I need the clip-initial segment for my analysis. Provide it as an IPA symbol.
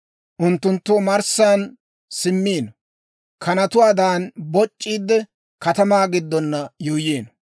ʔ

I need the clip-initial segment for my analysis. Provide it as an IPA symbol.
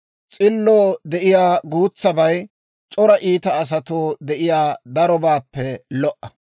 t͡sʼ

